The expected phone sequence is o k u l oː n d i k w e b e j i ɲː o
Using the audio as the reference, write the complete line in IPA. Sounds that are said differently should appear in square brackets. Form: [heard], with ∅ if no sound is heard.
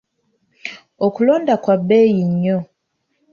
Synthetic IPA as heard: o k u l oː n d [a] k w [a] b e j i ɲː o